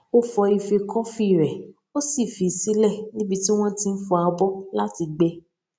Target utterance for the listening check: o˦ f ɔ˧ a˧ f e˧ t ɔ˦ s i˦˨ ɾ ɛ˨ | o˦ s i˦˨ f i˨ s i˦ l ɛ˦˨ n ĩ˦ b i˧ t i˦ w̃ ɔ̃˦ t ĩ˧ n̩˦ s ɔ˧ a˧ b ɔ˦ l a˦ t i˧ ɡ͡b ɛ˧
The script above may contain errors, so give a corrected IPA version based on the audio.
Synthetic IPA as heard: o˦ f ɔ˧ i˧ f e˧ k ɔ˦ f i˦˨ ɾ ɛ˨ | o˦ s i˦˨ f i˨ s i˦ l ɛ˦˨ n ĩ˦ b i˧ t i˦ w̃ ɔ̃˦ t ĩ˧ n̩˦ f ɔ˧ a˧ b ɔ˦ l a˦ t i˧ ɡ͡b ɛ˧